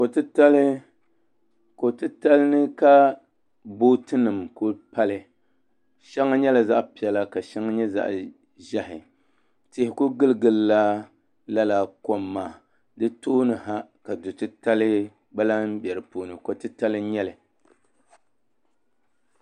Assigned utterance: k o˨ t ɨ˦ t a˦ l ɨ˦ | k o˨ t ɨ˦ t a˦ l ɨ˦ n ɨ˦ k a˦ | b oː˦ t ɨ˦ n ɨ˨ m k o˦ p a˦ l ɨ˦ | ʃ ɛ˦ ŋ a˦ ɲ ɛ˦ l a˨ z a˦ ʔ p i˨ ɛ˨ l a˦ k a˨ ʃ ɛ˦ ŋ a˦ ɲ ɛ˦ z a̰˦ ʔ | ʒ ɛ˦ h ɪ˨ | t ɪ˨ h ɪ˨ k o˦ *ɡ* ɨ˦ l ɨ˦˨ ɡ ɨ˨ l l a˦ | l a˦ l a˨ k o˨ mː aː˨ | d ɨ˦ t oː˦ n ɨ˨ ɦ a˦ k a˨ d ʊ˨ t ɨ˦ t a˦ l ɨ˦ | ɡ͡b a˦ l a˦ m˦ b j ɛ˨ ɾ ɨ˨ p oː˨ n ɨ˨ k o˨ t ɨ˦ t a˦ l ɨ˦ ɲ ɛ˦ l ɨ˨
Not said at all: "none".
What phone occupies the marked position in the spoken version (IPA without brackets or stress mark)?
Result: ɡ